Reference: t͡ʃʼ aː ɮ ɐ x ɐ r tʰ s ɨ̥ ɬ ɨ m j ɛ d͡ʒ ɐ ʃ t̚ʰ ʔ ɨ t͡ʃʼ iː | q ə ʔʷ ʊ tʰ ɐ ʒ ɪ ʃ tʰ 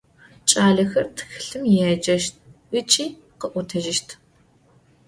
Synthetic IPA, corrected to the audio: t͡ʃʼ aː ɮ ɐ x ɐ r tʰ x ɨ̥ ɬ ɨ m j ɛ d͡ʒ ɐ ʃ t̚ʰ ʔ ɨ t͡ʃʼ iː | q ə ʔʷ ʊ tʰ ɐ ʒ ɪ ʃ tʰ